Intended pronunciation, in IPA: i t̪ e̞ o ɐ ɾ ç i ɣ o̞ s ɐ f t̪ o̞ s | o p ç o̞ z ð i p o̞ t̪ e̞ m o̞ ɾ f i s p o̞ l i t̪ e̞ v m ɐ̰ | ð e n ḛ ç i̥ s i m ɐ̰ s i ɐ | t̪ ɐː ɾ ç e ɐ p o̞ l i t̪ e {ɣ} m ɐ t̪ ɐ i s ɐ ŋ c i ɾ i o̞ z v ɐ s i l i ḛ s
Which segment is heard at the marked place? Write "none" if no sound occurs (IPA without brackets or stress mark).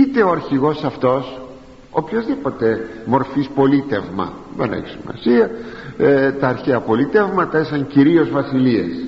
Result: v